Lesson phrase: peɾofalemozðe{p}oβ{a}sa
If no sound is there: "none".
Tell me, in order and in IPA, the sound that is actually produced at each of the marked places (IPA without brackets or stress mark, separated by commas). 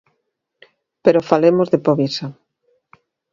p, i